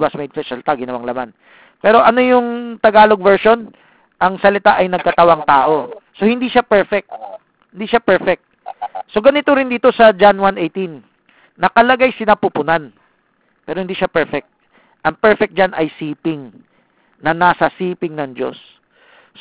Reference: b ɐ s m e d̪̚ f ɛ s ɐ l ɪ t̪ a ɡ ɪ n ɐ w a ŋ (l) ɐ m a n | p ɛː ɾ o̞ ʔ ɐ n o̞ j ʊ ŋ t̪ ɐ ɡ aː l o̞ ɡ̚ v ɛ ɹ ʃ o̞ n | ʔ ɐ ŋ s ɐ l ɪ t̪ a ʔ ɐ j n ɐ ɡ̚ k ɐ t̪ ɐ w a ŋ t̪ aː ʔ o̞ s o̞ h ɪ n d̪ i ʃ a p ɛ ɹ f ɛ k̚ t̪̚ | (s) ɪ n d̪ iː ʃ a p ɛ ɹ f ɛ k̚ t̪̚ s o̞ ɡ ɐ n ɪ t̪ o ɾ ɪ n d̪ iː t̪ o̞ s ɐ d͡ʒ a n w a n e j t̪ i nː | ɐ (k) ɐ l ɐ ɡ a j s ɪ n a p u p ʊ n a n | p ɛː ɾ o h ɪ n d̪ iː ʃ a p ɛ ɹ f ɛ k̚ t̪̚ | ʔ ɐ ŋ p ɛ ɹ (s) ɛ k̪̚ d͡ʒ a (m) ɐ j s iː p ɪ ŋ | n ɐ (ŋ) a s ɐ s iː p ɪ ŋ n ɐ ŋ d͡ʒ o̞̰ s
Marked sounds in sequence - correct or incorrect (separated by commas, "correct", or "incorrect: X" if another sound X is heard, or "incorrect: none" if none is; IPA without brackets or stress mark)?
correct, incorrect: h, correct, incorrect: f, incorrect: n, incorrect: n